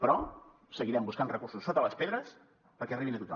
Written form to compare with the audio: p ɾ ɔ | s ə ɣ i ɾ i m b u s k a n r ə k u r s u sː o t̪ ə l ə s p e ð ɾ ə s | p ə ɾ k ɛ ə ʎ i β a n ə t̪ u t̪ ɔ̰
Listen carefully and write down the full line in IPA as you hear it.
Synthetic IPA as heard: p ɾ ɔ | s ə ɣ i ɾ ɛ m b u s k a n r ə k u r s u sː o t̪ ə l ə s p e ð ɾ ə s | p ə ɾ k ɛ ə r i β i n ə t̪ u t̪ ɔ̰